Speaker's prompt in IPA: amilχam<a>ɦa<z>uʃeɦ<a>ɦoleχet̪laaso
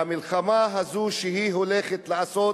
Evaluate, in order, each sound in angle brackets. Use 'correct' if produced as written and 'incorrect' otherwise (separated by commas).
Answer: correct, correct, incorrect